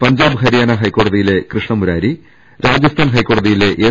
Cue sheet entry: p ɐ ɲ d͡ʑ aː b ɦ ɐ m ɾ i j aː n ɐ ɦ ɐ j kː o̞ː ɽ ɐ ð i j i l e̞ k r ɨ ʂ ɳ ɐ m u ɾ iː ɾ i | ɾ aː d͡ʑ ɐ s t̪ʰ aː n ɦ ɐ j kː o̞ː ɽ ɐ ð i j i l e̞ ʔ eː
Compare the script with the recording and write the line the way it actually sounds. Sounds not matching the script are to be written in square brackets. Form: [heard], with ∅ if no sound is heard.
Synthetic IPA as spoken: p ɐ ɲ d͡ʑ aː b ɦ ɐ [∅] ɾ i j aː n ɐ ɦ ɐ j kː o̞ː ɽ ɐ ð i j i l e̞ k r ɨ ʂ ɳ ɐ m u ɾ [aː] ɾ i | ɾ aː d͡ʑ ɐ s t̪ʰ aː n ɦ ɐ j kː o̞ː ɽ ɐ ð i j i l e̞ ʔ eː